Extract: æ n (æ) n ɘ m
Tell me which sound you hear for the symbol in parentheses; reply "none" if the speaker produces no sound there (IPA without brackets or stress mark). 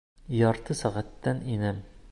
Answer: i